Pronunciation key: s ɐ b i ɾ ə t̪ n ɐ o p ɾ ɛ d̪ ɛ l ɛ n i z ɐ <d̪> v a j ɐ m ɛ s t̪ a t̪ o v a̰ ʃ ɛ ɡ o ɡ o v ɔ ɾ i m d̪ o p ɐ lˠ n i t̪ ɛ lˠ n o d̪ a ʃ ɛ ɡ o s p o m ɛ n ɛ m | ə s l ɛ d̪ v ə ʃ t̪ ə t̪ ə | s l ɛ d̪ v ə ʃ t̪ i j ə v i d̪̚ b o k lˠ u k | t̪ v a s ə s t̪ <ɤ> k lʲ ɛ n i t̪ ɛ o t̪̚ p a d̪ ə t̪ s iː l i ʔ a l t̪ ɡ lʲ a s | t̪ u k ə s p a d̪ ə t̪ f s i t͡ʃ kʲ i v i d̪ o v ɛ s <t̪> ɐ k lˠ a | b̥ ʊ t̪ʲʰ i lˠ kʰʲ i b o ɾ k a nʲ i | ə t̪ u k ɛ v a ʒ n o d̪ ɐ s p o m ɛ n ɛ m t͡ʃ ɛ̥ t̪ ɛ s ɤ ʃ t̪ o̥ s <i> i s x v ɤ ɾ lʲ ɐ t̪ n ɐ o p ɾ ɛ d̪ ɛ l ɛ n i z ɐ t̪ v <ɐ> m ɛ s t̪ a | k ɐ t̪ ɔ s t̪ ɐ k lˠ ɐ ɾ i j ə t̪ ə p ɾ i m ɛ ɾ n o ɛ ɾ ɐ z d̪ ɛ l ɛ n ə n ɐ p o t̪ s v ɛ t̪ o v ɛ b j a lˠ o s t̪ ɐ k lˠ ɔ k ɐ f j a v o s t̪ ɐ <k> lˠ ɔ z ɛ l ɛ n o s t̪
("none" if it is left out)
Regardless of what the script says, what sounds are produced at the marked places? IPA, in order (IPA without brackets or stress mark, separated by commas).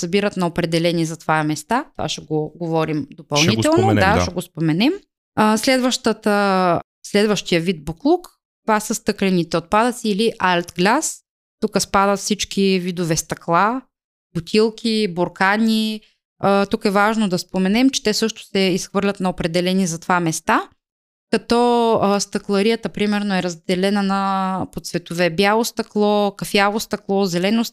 t̪, ɤ, t̪, ɛ, a, k